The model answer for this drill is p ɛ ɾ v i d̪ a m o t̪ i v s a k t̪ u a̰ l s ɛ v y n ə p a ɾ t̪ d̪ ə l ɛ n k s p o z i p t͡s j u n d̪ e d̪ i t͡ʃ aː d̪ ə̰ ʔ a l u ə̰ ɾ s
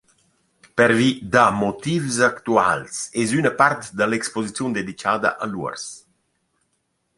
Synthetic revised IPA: p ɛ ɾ v i d̪ a m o t̪ i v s a k t̪ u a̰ l s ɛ z y n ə p a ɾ t̪ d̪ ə l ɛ k s p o z i t͡s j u n d̪ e d̪ i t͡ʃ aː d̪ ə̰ ʔ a l u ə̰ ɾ s